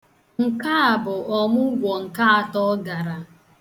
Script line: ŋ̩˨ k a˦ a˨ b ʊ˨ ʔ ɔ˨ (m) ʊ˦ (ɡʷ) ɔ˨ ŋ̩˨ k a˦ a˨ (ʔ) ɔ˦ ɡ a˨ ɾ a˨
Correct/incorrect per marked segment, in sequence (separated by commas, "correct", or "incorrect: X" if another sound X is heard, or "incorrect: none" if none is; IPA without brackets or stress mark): correct, correct, incorrect: t